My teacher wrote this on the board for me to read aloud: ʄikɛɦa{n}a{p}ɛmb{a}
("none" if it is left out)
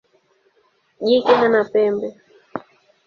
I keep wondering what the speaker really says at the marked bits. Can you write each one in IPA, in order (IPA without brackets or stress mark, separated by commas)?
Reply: n, p, ɛ